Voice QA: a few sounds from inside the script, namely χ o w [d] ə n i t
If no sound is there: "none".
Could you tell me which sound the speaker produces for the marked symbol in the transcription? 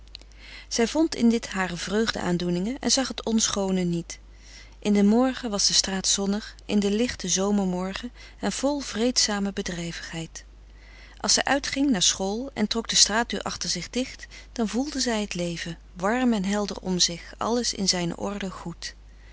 n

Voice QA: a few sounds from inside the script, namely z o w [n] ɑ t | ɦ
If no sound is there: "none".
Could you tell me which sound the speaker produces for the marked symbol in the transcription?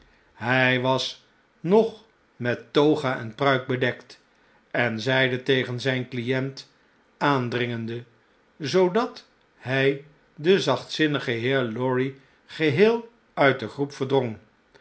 d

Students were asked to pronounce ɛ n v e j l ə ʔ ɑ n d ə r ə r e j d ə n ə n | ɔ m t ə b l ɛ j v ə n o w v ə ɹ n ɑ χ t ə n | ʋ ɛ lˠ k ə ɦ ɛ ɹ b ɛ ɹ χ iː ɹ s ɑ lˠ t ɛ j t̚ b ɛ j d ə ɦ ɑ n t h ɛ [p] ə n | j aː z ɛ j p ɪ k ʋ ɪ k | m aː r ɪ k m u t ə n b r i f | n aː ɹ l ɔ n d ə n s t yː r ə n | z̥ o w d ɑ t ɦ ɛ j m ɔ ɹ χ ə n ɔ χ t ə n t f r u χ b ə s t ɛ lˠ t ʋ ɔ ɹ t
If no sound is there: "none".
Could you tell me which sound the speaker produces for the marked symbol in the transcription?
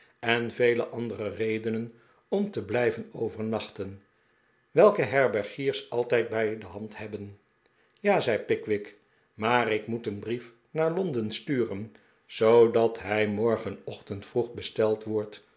b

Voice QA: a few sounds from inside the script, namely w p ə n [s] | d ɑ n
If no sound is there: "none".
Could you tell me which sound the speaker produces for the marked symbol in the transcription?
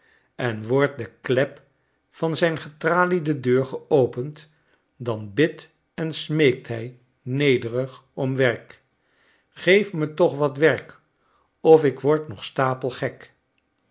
t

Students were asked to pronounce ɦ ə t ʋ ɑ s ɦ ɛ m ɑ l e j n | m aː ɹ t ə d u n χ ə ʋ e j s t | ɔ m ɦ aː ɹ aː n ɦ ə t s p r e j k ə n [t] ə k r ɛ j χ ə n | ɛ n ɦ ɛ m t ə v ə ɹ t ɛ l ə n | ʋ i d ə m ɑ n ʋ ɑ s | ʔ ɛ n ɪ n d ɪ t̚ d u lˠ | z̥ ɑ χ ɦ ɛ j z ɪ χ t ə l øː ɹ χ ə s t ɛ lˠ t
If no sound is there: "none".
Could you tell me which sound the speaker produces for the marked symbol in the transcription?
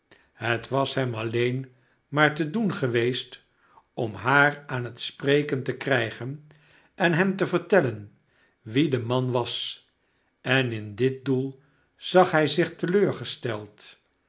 t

